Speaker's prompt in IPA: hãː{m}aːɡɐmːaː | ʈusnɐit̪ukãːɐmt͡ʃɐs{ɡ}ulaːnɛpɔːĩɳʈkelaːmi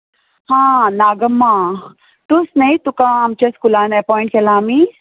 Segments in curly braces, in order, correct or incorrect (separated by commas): incorrect, incorrect